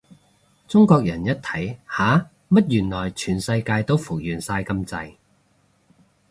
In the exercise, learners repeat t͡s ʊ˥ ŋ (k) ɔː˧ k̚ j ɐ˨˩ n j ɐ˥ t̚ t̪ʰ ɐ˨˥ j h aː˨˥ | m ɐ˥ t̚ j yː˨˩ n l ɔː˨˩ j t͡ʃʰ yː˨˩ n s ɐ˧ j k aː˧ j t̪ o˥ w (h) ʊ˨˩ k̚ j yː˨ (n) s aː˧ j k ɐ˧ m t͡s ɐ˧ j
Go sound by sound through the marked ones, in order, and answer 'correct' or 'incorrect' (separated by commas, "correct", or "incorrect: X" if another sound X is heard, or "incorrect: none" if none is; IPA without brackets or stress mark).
correct, incorrect: f, correct